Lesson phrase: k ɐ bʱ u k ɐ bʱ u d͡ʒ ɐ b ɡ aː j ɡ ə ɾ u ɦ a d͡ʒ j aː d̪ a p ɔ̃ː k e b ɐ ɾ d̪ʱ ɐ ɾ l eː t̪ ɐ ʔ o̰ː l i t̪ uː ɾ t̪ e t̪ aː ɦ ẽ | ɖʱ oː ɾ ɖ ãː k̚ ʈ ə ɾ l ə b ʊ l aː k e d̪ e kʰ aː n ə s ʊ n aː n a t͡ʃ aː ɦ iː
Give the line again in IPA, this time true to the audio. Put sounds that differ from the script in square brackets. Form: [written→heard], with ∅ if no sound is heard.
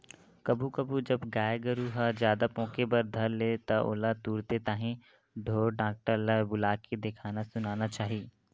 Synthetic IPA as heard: k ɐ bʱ u k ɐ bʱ u d͡ʒ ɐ b ɡ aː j ɡ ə ɾ u ɦ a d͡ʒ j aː d̪ a p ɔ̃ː k e b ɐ ɾ d̪ʱ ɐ ɾ l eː t̪ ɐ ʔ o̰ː l [i→a] t̪ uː ɾ t̪ e t̪ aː ɦ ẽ | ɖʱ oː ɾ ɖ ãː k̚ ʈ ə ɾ l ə b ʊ l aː k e d̪ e kʰ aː n [ə→a] s ʊ n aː n a t͡ʃ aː ɦ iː